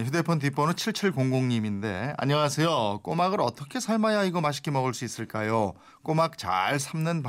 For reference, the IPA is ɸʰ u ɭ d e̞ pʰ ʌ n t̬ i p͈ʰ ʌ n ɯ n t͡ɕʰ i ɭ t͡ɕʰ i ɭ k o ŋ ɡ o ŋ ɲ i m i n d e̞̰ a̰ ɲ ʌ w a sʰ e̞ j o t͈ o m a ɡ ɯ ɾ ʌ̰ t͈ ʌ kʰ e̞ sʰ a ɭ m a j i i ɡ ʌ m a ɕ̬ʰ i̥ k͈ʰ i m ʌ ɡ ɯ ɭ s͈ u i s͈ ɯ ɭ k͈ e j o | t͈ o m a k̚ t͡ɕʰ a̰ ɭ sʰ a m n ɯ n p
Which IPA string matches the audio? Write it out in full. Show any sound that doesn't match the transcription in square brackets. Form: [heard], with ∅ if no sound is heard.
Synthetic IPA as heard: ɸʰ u [∅] d e̞ pʰ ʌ n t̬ i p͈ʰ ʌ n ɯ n t͡ɕʰ i ɭ t͡ɕʰ i ɭ k o ŋ ɡ o ŋ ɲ i m i n d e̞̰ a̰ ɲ ʌ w a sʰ e̞ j o [k͈] o m a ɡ ɯ ɾ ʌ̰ t͈ ʌ kʰ e̞ sʰ a ɭ m a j [a] i ɡ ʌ m a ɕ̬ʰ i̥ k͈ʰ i m ʌ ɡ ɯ ɭ s͈ u i s͈ ɯ ɭ k͈ [a] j o | [k͈] o m a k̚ [t͡ɕ] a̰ ɭ sʰ a m n ɯ n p